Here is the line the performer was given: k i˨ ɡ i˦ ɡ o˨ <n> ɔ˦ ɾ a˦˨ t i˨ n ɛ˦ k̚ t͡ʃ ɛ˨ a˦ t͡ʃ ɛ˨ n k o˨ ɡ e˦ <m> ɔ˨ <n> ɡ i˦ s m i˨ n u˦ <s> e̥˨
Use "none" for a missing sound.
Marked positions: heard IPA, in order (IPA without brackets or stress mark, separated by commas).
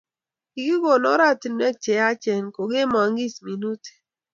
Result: n, m, ŋ, t